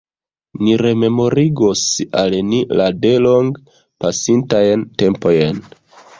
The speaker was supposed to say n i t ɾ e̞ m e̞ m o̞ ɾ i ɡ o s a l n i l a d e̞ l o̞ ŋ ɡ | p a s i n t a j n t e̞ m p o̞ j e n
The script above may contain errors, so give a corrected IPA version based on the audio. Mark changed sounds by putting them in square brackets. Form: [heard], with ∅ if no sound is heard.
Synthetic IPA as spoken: n i [∅] ɾ e̞ m e̞ m o̞ ɾ i ɡ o s a l n i l a d e̞ l o̞ ŋ ɡ | p a s i n t a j n t e̞ m p o̞ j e n